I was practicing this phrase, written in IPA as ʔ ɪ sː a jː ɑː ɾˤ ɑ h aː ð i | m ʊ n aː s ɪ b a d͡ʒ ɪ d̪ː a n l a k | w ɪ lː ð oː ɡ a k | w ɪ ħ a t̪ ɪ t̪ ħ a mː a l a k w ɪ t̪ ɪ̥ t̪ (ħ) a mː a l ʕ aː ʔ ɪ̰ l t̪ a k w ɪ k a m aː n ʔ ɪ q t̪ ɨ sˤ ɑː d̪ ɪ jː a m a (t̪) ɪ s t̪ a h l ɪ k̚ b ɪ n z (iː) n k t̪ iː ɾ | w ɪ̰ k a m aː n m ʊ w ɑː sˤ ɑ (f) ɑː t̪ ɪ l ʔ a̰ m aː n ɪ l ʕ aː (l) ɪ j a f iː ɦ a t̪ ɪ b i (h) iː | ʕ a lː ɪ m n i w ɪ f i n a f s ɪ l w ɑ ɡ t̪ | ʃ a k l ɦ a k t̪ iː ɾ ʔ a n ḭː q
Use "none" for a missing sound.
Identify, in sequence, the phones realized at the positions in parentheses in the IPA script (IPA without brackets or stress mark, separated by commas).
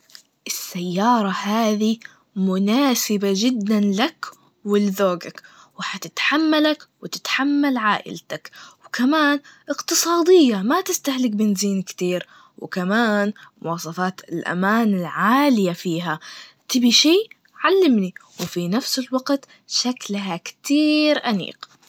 ħ, t̪, iː, f, l, ʃ